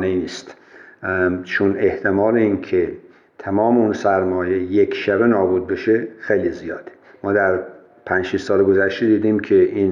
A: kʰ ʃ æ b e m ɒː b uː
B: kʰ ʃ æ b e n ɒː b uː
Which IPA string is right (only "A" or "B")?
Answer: B